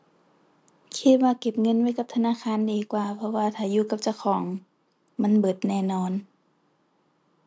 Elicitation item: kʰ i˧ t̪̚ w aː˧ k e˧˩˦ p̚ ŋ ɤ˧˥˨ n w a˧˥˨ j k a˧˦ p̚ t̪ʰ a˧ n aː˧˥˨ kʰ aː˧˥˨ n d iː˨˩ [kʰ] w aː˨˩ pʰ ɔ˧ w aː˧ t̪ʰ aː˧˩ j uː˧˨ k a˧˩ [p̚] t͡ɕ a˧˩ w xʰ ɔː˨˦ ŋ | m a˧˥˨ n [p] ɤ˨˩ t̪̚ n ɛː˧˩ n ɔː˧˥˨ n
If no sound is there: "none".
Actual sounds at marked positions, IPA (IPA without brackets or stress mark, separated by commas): k, p̚, b